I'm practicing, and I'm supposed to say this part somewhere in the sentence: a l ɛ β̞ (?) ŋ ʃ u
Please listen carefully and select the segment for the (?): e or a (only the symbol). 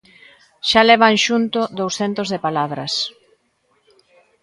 a